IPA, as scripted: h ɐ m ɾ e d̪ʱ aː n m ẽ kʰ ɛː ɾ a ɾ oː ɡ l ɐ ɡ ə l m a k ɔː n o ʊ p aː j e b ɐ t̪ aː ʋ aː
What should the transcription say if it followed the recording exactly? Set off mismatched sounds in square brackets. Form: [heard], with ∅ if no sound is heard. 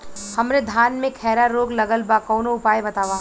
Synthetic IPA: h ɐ m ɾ e d̪ʱ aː n m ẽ kʰ ɛː ɾ a ɾ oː ɡ l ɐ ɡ ə l [b] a k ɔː n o ʊ p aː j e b ɐ t̪ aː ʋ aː